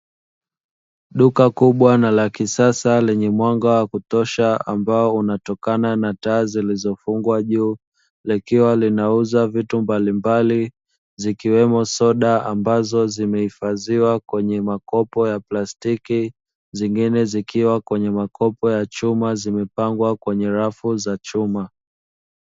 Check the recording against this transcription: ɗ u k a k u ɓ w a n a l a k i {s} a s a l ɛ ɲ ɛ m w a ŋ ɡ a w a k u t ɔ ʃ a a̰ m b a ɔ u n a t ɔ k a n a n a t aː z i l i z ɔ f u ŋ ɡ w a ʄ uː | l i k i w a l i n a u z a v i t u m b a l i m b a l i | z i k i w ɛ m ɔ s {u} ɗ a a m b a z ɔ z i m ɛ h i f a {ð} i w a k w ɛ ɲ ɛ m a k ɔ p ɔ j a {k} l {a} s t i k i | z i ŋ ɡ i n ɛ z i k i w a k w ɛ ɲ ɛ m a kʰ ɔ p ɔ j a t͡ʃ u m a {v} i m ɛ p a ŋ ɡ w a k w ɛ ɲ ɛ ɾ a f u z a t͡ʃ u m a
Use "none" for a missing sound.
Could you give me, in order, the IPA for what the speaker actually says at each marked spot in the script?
s, ɔ, z, p, a, z

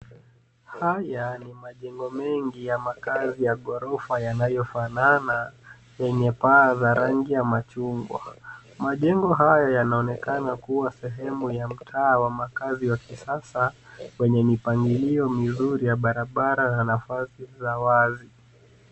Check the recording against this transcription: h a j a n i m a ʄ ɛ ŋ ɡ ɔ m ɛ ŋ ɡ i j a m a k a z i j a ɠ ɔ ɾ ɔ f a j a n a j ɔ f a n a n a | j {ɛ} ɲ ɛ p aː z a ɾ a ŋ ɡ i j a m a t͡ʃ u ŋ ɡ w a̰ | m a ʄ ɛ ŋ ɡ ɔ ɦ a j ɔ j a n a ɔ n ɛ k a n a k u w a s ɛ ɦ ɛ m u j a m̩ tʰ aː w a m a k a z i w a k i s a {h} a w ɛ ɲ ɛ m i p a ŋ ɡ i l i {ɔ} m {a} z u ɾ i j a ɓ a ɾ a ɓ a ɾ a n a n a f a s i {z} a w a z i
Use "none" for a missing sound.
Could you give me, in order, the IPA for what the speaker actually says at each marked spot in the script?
ɛ, s, ɔ, i, z

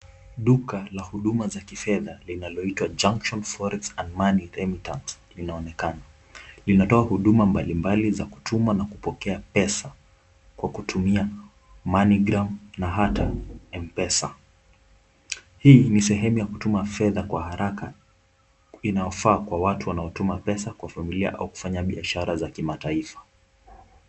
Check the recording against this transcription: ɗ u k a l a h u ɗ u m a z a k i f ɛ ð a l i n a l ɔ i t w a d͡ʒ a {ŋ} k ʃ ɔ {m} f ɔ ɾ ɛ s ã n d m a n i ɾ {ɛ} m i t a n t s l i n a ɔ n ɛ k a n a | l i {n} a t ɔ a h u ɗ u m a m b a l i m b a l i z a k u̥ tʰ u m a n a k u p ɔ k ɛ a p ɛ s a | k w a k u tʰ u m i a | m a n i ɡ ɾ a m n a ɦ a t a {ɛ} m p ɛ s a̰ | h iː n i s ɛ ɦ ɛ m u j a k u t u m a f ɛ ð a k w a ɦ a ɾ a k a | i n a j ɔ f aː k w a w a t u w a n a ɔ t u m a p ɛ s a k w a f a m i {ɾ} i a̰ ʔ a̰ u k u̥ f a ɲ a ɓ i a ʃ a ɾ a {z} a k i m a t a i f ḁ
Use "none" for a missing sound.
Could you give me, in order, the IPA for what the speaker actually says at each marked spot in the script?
ŋ, n, ɛ, n, ɛ, l, z

